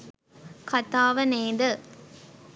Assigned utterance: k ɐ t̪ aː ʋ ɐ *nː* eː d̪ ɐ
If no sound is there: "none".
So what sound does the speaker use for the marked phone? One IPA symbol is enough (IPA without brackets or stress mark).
n